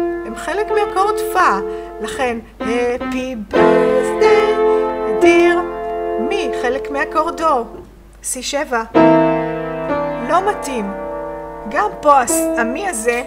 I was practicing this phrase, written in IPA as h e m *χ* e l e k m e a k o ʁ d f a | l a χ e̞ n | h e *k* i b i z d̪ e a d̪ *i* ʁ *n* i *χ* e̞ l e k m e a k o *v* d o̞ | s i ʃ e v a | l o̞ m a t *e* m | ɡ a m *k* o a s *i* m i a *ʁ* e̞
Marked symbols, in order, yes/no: yes, no, yes, no, yes, no, no, no, no, no

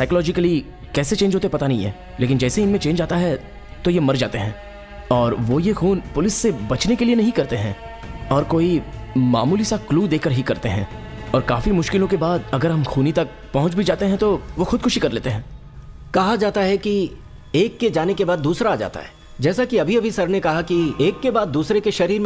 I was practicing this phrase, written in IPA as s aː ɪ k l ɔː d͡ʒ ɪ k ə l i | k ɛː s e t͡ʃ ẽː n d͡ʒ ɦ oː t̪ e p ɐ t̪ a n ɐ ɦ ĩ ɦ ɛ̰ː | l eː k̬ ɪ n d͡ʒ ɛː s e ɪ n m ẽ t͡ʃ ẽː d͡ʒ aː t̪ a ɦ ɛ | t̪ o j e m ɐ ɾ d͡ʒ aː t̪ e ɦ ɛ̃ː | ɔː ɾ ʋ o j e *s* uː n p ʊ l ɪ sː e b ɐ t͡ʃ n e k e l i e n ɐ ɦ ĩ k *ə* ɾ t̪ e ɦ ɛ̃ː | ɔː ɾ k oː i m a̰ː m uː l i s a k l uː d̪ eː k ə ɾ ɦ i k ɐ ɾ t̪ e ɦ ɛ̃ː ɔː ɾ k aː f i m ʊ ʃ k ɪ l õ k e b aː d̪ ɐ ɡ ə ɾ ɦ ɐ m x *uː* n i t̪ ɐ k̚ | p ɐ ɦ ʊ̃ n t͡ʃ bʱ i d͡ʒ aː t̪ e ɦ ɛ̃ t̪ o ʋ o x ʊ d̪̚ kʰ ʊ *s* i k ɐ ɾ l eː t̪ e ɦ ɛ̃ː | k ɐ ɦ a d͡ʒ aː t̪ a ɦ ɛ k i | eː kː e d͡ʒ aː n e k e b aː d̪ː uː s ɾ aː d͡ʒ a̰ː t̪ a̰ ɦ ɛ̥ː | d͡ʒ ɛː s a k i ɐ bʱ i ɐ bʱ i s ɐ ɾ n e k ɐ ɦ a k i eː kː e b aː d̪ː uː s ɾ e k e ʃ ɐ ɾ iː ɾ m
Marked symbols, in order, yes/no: no, no, yes, no

